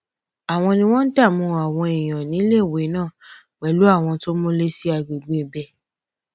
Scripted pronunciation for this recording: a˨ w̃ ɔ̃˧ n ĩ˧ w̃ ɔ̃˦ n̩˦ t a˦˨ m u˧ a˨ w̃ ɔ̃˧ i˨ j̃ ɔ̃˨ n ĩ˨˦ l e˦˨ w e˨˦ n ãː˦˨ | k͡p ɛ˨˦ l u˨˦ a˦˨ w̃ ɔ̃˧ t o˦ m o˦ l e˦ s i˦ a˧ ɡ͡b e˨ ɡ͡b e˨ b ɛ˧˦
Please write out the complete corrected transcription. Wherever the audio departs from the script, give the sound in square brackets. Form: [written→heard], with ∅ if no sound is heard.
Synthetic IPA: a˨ w̃ ɔ̃˧ n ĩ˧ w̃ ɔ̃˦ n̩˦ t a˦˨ m [u˧→ũ˧] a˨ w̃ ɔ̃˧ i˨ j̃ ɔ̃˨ n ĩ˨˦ l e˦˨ w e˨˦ n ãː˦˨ | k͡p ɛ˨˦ l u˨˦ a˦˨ w̃ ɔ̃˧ t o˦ m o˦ l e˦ s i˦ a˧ ɡ͡b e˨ ɡ͡b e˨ b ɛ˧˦